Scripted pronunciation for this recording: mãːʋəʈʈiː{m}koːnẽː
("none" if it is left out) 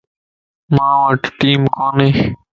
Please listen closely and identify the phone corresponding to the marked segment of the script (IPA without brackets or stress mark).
m